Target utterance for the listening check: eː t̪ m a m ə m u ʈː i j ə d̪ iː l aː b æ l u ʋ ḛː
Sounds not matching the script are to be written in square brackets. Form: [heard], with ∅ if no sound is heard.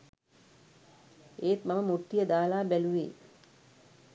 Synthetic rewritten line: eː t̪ m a m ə m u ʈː i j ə d̪ [aː] l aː b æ l u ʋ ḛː

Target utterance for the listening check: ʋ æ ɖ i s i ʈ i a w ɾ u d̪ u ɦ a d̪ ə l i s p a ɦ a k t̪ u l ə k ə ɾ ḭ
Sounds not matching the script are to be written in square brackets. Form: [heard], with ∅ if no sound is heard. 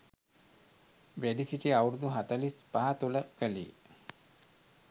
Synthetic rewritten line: ʋ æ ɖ i s i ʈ i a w ɾ u d̪ u ɦ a [t̪] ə l i s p a ɦ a [∅] t̪ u l ə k ə [l] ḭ

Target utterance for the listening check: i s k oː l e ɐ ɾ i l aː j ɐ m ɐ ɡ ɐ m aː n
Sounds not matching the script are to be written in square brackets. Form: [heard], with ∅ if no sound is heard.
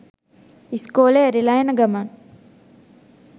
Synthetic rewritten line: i s k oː l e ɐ ɾ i l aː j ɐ [n] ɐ ɡ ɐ m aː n

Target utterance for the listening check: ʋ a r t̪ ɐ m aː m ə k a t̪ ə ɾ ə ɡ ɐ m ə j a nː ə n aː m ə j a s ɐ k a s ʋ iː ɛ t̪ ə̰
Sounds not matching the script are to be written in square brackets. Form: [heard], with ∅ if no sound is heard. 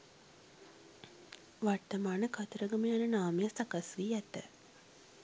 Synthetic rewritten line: ʋ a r t̪ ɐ m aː [n] ə k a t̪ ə ɾ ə ɡ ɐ m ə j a [n] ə n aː m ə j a s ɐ k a s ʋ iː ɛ t̪ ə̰

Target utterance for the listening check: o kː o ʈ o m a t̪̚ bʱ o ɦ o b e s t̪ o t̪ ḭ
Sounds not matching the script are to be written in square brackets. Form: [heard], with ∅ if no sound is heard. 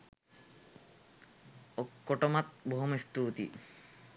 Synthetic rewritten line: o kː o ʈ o m a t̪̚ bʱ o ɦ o [m] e s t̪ [u] t̪ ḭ

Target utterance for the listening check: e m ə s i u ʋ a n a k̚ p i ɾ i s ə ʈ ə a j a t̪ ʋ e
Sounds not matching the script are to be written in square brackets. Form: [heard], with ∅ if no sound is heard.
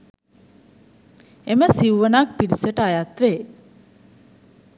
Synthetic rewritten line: e m ə s i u ʋ [ə] n a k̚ p i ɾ i s ə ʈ ə a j a t̪ ʋ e

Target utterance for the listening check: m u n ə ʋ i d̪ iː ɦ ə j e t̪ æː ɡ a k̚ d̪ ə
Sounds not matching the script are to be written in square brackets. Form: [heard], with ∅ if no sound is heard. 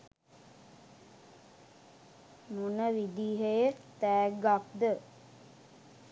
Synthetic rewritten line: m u n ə ʋ i d̪ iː ɦ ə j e t̪ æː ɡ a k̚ d̪ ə

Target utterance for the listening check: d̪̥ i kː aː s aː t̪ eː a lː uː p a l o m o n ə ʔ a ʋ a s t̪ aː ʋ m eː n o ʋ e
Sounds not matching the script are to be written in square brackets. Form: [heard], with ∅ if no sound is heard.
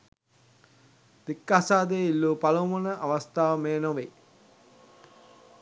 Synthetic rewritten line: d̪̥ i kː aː s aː [d̪] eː [i] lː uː p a l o m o n ə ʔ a ʋ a s t̪ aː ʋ m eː n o ʋ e

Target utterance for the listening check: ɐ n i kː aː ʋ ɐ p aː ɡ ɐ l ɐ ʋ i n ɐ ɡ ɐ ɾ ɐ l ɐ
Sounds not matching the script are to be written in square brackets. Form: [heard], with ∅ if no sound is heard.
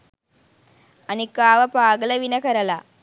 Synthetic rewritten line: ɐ n i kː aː ʋ ɐ p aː ɡ ɐ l ɐ ʋ i n ɐ [k] ɐ ɾ ɐ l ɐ

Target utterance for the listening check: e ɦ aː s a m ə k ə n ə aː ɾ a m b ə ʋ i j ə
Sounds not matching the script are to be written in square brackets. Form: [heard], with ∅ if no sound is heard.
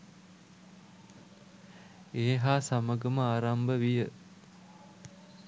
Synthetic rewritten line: e ɦ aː s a m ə [ɡ] ə [m] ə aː ɾ a m b ə ʋ i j ə

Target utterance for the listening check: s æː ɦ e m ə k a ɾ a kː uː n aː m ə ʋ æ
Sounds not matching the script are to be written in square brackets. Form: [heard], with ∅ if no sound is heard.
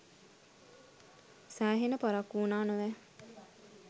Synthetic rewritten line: s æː ɦ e [n] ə [p] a ɾ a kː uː n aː [n] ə ʋ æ

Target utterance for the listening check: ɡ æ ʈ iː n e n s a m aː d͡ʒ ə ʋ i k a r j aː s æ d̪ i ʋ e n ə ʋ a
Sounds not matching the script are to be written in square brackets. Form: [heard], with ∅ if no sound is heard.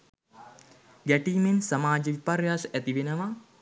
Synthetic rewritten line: ɡ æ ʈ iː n e n s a m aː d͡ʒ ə ʋ i [p] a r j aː s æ [t̪] i ʋ e n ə ʋ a

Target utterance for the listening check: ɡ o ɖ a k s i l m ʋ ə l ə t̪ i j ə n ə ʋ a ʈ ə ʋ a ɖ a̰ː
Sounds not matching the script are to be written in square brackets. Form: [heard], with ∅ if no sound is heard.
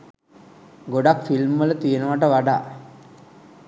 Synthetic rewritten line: ɡ o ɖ a k [f] i l m ʋ ə l ə t̪ i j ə n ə ʋ a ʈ ə ʋ a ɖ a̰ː

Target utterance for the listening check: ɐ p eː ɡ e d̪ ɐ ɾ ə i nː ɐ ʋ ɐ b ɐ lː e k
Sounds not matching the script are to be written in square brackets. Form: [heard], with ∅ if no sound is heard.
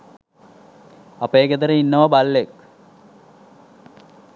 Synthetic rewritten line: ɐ p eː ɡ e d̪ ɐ ɾ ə i nː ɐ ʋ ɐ b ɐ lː e k

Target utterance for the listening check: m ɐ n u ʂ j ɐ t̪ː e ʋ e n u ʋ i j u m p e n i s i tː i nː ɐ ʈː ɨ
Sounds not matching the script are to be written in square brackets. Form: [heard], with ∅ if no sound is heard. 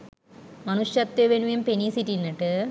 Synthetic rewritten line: m ɐ n u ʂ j ɐ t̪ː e ʋ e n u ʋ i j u m p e n i s i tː i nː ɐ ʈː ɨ

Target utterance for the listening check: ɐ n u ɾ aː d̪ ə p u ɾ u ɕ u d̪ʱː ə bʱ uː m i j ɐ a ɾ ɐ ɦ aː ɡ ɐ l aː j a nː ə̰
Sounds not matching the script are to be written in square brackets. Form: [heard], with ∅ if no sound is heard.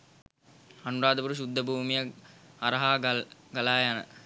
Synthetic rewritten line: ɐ n u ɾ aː d̪ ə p u ɾ u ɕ u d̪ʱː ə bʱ uː m i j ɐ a ɾ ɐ ɦ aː ɡ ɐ l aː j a [n] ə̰

